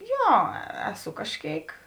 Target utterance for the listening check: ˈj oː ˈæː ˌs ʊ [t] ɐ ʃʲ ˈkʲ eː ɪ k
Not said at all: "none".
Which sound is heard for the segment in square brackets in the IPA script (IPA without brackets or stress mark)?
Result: k